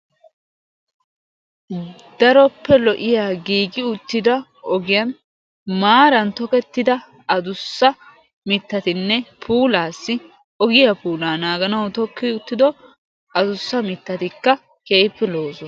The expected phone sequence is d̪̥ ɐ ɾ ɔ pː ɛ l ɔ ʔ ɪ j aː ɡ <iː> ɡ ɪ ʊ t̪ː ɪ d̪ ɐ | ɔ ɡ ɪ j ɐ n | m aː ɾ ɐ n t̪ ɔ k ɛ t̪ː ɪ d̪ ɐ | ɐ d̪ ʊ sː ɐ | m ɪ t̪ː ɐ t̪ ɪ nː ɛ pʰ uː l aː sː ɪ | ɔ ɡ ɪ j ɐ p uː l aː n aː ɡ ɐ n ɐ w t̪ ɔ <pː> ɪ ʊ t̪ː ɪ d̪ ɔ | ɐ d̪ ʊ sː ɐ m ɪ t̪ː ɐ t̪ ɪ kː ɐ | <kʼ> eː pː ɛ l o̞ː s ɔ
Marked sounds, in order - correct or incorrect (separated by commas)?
correct, incorrect, incorrect